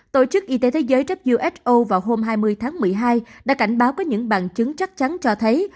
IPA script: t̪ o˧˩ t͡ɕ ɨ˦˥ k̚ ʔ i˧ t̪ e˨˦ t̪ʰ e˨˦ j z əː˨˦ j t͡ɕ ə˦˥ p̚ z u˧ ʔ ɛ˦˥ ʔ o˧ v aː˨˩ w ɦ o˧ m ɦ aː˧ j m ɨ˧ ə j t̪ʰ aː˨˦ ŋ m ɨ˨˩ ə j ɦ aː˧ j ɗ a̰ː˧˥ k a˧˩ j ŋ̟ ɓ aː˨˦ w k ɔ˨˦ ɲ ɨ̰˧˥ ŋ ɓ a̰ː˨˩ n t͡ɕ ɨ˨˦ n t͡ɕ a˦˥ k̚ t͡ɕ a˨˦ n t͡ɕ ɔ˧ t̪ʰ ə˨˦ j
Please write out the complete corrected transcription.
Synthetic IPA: t̪ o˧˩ t͡ɕ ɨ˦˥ k̚ ʔ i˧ t̪ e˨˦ t̪ʰ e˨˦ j z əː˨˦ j t͡ɕ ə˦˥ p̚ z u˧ ʔ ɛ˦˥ ʔ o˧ v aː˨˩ w ɦ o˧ m ɦ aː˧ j m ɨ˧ ə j t̪ʰ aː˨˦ ŋ m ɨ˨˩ ə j ɦ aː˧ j ɗ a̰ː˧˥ k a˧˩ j ŋ̟ ɓ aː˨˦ w k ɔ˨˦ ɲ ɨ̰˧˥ ŋ ɓ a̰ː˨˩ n t͡ɕ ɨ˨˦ ŋ t͡ɕ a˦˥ k̚ t͡ɕ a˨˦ n t͡ɕ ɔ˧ t̪ʰ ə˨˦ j